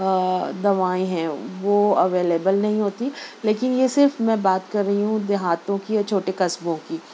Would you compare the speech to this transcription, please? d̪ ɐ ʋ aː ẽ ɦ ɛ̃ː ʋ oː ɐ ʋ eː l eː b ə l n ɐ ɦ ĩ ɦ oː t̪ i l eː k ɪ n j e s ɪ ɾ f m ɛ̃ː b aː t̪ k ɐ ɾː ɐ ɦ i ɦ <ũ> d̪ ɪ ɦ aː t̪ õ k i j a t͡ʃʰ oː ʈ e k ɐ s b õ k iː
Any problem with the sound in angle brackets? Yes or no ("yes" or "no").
no